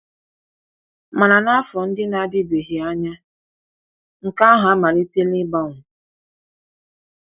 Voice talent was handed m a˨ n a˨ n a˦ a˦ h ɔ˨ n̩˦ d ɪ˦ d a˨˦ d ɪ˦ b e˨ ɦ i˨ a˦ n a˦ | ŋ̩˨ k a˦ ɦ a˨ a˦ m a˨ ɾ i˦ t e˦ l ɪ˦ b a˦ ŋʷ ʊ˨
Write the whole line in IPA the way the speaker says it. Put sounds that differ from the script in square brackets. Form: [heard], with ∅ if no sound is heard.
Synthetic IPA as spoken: m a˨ n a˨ n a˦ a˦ [f] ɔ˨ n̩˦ d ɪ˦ [n] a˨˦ d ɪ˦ b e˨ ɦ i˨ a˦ [ɲ] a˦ | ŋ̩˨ k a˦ ɦ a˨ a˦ m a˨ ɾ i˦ t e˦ l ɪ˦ b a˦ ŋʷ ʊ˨